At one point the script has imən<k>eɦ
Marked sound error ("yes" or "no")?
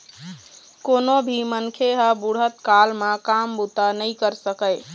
yes